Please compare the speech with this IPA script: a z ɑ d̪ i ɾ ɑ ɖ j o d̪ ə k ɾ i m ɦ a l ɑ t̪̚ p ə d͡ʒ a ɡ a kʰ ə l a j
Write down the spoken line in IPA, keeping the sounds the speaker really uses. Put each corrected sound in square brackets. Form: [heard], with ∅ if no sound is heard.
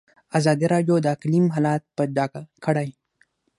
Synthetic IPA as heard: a z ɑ d̪ i ɾ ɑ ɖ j o d̪ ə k [l] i m ɦ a l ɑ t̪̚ p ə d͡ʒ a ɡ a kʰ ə [ɽ] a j